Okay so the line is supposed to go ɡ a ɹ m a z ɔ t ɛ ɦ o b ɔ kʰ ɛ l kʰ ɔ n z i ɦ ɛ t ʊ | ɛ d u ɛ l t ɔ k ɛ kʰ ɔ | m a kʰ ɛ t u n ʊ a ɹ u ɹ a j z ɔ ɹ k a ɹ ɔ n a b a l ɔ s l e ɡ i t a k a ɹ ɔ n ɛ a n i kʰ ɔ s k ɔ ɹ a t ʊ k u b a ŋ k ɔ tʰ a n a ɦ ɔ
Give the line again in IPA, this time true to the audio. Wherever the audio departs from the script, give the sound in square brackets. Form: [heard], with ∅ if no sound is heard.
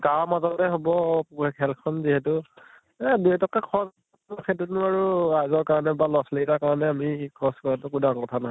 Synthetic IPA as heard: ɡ a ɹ m a z ɔ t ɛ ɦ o b ɔ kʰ ɛ l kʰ ɔ n z i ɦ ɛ t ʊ | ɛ d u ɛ [∅] t ɔ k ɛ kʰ ɔ | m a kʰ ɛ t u n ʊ a ɹ u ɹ a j z ɔ ɹ k a ɹ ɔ n [ɛ] b a l ɔ s l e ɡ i t a k a ɹ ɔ n ɛ a [m] i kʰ ɔ s k ɔ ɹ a t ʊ k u [d] a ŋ k ɔ tʰ a n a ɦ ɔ